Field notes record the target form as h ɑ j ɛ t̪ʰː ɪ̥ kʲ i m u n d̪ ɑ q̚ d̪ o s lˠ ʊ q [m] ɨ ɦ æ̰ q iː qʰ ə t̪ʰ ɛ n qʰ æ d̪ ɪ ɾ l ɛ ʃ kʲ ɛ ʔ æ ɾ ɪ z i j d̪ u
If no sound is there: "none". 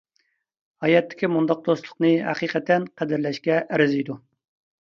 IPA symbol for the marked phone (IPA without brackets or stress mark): n